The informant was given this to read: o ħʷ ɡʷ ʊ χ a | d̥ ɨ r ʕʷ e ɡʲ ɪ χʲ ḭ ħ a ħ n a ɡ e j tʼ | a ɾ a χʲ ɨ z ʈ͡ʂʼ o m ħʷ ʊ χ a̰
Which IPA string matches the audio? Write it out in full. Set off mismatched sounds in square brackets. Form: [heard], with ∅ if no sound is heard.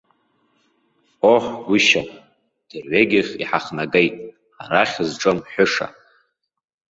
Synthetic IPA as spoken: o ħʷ ɡʷ ʊ [ʃ] a | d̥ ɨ r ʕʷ e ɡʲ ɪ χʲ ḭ ħ a [χ] n a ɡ e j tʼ | a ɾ a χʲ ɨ z ʈ͡ʂʼ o m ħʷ ʊ [ʂ] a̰

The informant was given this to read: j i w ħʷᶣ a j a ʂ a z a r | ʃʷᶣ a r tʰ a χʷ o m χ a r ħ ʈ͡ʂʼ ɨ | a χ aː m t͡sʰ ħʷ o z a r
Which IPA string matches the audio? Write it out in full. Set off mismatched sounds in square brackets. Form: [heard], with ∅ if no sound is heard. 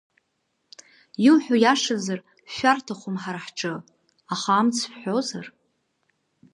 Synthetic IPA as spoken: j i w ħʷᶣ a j a ʂ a z a r | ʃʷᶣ a r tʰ a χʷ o m [ħ] a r ħ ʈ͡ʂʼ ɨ | a χ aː m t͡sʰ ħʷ o z a r

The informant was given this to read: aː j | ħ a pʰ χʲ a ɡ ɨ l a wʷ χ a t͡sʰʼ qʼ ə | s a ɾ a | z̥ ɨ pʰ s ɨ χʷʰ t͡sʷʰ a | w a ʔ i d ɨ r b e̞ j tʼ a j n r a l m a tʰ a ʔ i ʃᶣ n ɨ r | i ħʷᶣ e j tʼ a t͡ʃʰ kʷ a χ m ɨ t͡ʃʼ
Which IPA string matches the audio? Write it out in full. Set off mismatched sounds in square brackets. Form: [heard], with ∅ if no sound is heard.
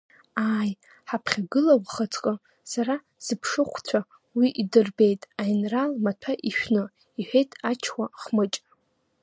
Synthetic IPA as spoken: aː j | ħ a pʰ χʲ a ɡ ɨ l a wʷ χ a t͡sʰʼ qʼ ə | s a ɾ a | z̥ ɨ pʰ [ʂ] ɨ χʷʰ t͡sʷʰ a | w [i] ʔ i d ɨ r b e̞ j tʼ a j n r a l m a tʰ a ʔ i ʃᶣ n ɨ [∅] | i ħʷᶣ e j tʼ a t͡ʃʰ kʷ a χ m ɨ t͡ʃʼ

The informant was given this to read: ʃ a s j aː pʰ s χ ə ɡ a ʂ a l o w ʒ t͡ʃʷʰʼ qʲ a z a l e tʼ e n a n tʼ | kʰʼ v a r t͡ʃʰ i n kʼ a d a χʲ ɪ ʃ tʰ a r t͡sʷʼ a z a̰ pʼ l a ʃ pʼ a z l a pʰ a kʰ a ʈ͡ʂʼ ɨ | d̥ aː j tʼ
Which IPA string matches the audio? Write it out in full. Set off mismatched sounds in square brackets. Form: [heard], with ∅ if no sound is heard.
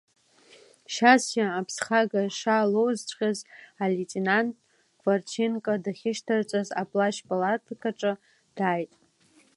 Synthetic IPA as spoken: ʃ a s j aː pʰ s χ [a] ɡ a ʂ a l o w [z] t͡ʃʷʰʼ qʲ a z a l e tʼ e n a n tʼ | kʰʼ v a r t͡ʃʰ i n kʼ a d a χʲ ɪ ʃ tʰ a r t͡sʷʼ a z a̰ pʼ l a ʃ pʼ a [∅] l a [tʰ] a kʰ a ʈ͡ʂʼ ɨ | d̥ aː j tʼ

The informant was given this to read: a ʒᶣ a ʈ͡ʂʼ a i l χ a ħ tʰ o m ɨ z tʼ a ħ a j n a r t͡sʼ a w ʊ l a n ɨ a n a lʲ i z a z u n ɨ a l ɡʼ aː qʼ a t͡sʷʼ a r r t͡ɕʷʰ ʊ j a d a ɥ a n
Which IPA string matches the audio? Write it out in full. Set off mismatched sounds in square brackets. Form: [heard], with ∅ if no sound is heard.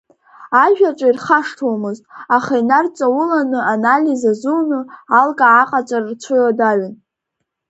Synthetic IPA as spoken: a ʒᶣ a ʈ͡ʂʼ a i [r] χ a [ʂ] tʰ o m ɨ z tʼ a [χ] a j n a r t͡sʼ a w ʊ l a n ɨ a n a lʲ i z a z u n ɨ a l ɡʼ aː qʼ a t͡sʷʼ a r r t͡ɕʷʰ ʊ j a d a ɥ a n

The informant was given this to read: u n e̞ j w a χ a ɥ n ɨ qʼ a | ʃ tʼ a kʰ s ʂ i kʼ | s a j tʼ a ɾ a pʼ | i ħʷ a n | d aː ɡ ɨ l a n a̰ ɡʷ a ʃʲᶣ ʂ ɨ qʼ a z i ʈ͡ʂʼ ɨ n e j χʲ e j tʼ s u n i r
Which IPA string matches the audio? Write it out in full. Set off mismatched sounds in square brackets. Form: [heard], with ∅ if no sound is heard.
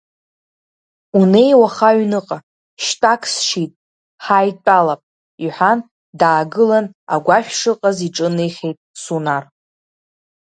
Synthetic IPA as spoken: u n e̞ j w a χ a ɥ n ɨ qʼ a | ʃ tʼ a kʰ s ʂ i [tʼ] | [ħ] a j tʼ a [l] a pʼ | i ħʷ a n | d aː ɡ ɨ l a n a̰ ɡʷ a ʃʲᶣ ʂ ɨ qʼ a z i ʈ͡ʂʼ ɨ n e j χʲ e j tʼ s u n [a] r

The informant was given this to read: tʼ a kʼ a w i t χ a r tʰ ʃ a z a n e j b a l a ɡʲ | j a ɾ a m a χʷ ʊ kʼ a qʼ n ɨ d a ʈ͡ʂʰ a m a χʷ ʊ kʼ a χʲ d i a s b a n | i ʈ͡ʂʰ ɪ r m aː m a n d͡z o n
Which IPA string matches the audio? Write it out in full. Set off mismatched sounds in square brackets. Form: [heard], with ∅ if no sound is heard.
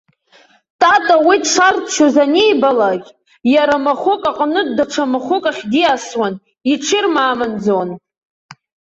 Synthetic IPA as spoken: tʼ a [tʼ] a w i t [ʂ] a r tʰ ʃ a z a n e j b a l a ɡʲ | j a ɾ a m a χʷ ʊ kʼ a qʼ n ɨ d a ʈ͡ʂʰ a m a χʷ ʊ kʼ a χʲ d i a s [w] a n | i ʈ͡ʂʰ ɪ r m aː m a n d͡z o n

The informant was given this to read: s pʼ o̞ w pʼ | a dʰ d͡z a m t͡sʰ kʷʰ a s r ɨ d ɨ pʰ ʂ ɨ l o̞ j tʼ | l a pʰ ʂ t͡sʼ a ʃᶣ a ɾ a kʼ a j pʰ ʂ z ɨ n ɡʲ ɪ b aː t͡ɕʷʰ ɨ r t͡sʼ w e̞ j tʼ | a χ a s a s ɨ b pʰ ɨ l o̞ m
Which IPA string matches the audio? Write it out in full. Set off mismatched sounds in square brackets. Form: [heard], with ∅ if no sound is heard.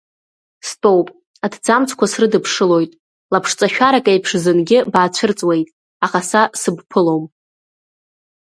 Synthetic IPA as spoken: s [tʼ] o̞ w pʼ | a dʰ d͡z a m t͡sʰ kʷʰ a s r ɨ d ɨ pʰ ʂ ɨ l o̞ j tʼ | l a pʰ ʂ t͡sʼ a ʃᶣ a ɾ a kʼ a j pʰ ʂ z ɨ n ɡʲ ɪ b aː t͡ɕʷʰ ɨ r t͡sʼ w e̞ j tʼ | a χ a s a s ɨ b pʰ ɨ l o̞ m

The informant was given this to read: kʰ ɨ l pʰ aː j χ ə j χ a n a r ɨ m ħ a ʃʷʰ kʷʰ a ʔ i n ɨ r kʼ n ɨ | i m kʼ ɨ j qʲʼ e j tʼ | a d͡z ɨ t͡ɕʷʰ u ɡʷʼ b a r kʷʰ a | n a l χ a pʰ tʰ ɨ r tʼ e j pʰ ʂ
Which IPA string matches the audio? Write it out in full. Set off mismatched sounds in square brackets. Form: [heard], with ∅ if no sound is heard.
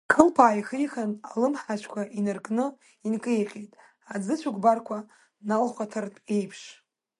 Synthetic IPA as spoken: kʰ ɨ l pʰ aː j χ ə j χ a n a [l] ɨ m ħ a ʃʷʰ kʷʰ a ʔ i n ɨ r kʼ n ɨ | i [n] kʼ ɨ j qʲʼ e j tʼ | a d͡z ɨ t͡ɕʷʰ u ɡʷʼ b a r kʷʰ a | n a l χ a [∅] tʰ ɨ r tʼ e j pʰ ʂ

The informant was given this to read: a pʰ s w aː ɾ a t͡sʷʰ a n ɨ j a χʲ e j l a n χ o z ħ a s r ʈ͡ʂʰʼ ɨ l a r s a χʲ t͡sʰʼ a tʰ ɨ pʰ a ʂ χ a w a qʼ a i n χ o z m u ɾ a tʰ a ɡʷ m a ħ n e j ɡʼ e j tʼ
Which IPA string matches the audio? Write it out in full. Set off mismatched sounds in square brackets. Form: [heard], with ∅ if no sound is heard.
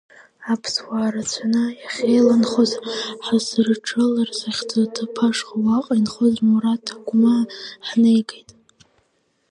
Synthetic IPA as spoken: a pʰ s w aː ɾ a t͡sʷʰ a n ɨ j a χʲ e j l a n χ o z ħ a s r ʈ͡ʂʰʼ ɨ l a r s a χʲ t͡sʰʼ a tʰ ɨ pʰ a ʂ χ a w a qʼ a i n χ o z m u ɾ a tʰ a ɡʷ m a ħ n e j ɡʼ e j tʼ

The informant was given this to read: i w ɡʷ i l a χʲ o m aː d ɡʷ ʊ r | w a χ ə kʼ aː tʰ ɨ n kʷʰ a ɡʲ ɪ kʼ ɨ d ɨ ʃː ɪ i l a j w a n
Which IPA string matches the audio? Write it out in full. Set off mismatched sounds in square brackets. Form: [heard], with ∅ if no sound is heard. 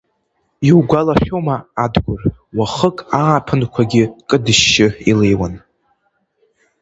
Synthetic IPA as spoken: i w ɡʷ [a] l a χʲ o m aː d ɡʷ ʊ r | w a χ ə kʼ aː [pʰ] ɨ n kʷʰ a ɡʲ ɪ kʼ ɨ d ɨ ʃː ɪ i l [e] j w a n

